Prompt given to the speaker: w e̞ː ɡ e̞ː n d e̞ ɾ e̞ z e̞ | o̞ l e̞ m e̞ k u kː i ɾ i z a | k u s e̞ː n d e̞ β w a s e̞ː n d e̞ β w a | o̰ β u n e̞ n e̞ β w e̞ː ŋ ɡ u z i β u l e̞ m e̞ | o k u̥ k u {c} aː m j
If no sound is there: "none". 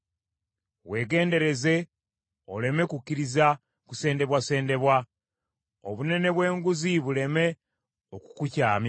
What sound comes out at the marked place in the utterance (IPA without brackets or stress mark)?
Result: c